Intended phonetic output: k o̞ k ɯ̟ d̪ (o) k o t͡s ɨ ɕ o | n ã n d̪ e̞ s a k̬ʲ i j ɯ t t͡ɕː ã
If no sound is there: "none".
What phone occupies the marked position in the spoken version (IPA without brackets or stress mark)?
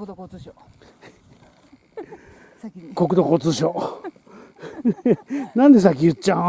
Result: o